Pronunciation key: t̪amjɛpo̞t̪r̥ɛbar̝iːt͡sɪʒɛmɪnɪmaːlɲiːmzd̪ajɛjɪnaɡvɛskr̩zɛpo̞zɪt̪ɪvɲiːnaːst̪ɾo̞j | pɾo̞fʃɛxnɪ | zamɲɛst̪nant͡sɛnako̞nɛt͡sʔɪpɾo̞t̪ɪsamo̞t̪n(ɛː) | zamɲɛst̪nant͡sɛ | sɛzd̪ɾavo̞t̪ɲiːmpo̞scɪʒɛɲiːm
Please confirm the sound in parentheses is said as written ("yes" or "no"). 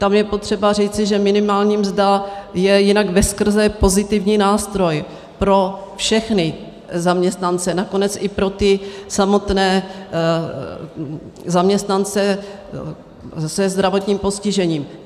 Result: yes